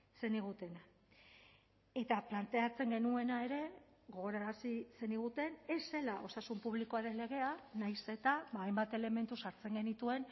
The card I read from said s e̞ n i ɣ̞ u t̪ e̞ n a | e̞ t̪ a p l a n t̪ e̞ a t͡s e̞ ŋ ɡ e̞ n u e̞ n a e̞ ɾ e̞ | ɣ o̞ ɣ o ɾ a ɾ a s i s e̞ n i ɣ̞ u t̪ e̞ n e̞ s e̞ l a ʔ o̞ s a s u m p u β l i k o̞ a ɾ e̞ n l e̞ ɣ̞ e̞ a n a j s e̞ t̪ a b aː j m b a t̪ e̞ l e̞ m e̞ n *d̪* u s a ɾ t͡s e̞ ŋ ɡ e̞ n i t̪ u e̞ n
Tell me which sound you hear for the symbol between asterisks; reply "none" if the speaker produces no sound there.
t̪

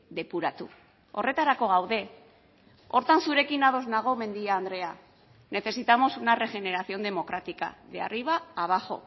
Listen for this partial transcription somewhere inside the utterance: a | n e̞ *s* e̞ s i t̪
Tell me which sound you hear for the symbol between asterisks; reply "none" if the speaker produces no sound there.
θ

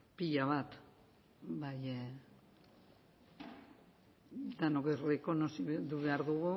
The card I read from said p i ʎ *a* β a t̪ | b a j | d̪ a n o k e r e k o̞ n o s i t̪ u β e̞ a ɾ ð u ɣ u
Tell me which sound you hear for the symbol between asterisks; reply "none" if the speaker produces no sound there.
a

